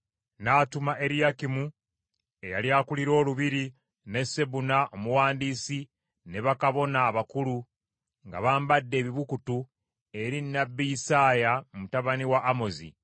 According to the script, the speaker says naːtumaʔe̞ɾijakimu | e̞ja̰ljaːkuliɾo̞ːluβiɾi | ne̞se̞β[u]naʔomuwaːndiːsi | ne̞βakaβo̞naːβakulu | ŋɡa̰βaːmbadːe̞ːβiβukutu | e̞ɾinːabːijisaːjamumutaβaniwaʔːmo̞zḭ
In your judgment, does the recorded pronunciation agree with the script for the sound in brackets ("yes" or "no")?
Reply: yes